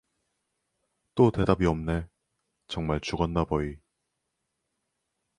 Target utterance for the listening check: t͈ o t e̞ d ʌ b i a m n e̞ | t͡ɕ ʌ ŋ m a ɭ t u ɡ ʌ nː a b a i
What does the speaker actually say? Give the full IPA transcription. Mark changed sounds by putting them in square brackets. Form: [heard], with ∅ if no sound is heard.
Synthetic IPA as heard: t͈ o t e̞ d [a] b i [ʌ] m n e̞ | t͡ɕ ʌ ŋ m a ɭ [t͡ɕ] u ɡ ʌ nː a b [ʌ] i